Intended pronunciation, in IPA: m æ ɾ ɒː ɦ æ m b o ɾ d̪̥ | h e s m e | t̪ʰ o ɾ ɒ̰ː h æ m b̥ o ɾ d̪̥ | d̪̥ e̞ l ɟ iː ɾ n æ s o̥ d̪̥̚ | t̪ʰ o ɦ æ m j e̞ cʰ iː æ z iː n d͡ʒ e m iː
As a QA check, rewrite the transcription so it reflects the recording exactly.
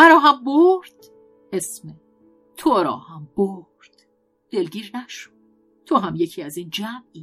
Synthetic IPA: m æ ɾ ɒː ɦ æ m b o ɾ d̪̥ | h e s m e | t̪ʰ o ɾ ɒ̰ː h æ m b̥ o ɾ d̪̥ | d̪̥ e̞ l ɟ iː ɾ n æ ʃ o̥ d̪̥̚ | t̪ʰ o ɦ æ m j e̞ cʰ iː æ z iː n d͡ʒ æ m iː